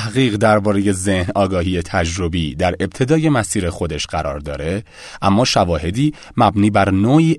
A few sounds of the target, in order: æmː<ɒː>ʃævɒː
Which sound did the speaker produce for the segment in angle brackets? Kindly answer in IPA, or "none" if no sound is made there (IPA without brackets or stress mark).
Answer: ɒː